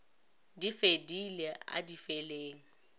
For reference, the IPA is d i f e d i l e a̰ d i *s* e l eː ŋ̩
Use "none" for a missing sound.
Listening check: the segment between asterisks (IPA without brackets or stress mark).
f